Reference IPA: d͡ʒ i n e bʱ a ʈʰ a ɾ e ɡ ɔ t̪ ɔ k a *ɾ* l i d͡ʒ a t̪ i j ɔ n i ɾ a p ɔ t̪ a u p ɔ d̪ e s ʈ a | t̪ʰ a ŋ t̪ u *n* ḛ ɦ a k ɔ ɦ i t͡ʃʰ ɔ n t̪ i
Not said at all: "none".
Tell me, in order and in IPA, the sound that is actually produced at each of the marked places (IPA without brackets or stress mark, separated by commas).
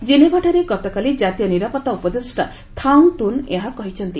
none, n